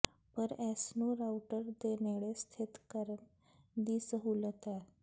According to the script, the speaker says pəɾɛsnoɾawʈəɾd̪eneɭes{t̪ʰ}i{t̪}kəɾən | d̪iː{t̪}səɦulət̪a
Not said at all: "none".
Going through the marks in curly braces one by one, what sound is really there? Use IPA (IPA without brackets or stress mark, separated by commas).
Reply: t̪ʰ, t̪, none